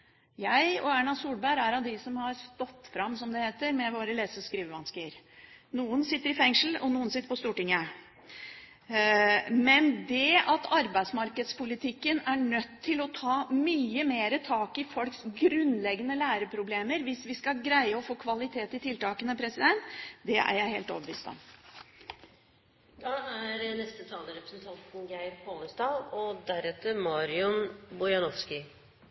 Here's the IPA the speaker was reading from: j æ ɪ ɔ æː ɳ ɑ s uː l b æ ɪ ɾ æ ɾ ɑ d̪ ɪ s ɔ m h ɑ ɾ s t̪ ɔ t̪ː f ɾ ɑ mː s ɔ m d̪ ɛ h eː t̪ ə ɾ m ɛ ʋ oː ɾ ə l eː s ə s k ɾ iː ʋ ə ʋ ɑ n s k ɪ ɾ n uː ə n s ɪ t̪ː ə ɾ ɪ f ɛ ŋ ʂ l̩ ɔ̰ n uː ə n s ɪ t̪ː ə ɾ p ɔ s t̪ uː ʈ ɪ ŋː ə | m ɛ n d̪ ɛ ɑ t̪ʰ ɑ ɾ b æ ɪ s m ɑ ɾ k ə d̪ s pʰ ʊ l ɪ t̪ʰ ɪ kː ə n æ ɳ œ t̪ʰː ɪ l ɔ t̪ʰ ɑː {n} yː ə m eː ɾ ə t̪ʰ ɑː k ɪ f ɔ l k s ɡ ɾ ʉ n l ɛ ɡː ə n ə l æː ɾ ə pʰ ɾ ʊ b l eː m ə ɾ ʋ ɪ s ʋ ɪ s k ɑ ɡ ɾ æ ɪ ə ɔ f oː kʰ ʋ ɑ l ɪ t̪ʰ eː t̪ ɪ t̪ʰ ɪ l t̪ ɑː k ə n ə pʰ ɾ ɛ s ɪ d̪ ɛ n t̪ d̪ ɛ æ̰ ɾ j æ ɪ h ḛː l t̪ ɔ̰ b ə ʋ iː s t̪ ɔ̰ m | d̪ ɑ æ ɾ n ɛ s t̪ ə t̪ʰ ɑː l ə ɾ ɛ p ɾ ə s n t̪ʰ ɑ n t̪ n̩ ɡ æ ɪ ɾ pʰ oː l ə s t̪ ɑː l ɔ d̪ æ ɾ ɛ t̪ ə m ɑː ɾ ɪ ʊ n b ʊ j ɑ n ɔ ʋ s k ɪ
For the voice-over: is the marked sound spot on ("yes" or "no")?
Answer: no